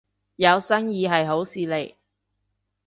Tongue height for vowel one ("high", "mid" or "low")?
low